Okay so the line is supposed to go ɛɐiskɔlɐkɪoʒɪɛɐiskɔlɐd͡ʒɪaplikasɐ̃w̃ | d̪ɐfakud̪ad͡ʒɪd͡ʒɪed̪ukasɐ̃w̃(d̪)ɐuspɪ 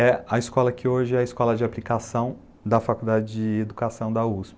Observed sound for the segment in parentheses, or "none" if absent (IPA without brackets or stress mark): d̪